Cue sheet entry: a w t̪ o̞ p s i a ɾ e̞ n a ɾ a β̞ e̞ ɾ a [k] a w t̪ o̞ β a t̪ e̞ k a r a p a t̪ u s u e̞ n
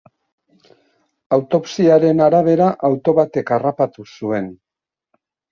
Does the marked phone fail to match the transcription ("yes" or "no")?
yes